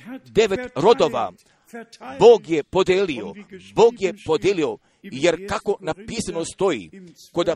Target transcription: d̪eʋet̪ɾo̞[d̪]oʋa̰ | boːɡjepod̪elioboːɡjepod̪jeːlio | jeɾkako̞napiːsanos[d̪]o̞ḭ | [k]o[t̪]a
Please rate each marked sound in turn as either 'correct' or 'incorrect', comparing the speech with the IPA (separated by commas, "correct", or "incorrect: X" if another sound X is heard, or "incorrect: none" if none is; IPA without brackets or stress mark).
correct, incorrect: t̪, correct, incorrect: d̪